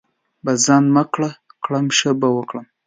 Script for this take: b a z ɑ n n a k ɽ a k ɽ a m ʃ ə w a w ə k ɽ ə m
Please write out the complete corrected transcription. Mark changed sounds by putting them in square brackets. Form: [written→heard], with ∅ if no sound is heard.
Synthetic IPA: b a z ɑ n [n→m] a k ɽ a k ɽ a m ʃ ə [w→b] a w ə k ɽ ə m